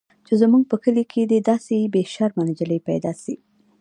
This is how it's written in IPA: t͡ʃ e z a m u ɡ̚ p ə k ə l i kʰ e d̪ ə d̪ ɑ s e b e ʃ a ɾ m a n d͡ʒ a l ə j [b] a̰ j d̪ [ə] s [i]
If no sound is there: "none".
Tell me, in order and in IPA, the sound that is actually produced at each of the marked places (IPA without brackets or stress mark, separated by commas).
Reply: p, ɑ, i